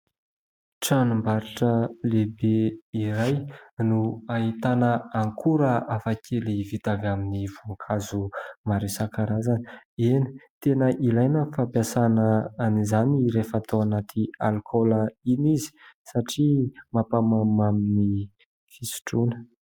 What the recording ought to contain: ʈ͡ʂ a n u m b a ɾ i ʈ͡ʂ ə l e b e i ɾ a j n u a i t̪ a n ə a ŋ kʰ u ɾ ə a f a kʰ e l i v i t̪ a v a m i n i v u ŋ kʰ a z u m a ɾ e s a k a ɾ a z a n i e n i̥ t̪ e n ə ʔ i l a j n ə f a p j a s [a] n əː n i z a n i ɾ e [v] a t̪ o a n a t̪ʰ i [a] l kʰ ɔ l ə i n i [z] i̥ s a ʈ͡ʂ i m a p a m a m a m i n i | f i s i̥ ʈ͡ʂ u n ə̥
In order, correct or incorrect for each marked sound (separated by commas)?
correct, incorrect, correct, correct